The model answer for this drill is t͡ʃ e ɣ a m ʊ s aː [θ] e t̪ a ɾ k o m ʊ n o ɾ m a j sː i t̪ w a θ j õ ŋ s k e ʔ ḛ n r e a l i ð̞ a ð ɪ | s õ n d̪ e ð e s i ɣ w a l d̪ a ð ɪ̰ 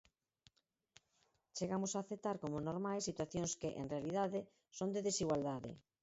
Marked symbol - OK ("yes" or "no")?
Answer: yes